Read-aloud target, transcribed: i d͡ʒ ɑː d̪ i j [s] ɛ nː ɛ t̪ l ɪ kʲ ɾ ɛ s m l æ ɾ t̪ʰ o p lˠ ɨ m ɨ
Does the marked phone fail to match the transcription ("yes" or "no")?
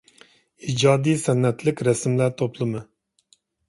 no